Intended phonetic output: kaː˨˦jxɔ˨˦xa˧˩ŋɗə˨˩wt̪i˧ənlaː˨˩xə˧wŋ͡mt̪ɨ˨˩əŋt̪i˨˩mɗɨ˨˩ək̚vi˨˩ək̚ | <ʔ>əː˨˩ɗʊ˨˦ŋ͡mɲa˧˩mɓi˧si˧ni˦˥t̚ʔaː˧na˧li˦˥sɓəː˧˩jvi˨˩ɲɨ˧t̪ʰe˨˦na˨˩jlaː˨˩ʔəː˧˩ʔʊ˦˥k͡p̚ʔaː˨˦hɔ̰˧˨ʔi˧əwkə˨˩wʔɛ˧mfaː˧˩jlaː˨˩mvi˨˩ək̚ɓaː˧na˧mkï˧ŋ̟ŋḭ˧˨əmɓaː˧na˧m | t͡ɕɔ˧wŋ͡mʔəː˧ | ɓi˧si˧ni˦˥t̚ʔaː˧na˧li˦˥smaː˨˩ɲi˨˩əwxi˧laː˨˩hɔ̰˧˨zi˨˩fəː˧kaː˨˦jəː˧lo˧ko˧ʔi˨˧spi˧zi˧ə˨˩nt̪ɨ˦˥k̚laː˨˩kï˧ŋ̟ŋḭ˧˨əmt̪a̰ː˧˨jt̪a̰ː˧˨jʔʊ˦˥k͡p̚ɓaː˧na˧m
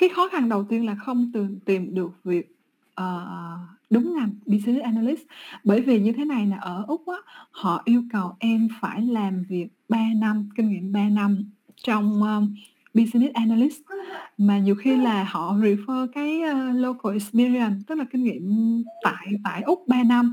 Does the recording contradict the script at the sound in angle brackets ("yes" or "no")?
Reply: no